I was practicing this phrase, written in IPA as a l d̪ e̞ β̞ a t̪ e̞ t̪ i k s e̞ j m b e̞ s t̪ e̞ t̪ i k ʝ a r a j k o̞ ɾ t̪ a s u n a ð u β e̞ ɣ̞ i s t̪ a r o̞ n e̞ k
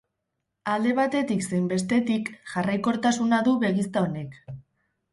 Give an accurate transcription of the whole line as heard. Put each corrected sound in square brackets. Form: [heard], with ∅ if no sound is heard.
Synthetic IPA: a l d̪ e̞ β̞ a t̪ e̞ t̪ i k s e̞ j m b e̞ s t̪ e̞ t̪ i k ʝ a r a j k o̞ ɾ t̪ a s u n a ð u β e̞ ɣ̞ i s t̪ a [∅] o̞ n e̞ k